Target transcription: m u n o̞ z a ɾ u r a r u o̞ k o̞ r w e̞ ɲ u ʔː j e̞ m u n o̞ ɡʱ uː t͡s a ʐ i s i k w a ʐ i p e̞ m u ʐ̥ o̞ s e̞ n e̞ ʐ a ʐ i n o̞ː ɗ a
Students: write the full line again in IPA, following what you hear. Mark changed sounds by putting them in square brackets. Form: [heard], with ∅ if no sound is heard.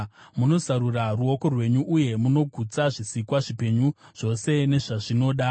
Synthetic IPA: m u n o̞ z a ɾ u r a r u o̞ k o̞ r w e̞ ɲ u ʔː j e̞ m u n o̞ ɡʱ [u] t͡s a ʐ i s i k w a ʐ i p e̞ [ɲ] u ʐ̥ o̞ s e̞ n e̞ ʐ a ʐ i n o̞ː ɗ a